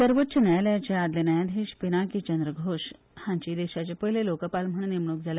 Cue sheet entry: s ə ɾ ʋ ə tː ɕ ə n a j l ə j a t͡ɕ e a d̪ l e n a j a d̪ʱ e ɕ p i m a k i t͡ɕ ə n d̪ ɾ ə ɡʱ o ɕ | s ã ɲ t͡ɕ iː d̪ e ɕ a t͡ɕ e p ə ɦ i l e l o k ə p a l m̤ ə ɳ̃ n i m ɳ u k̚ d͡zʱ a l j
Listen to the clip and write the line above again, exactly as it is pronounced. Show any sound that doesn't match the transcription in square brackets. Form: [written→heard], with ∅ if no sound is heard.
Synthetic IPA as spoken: s ə ɾ ʋ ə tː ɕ ə n a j l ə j a t͡ɕ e a d̪ l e n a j a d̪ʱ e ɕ p i [m→n] a k i t͡ɕ ə n d̪ ɾ ə ɡʱ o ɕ | [s→h] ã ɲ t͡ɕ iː d̪ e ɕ a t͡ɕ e p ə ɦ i l e l o k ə p a l m̤ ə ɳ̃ n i m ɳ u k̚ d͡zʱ a l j